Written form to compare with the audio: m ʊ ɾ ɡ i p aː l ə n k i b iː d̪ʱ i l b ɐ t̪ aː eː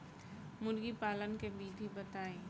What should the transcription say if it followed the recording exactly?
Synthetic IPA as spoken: m ʊ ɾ ɡ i p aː l ə n k e b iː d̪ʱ i b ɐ t̪ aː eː